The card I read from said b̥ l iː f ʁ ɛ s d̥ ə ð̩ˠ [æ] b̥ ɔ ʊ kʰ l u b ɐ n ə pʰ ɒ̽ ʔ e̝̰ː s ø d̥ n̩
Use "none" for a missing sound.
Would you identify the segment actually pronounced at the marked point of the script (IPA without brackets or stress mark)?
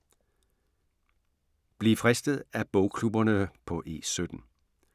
æ